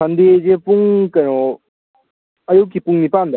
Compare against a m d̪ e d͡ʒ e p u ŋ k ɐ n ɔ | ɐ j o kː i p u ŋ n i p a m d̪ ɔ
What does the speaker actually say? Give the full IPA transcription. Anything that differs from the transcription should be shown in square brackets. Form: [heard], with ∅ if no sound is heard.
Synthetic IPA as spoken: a [n] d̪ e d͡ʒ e p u ŋ k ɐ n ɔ | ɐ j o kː i p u ŋ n i p a [n] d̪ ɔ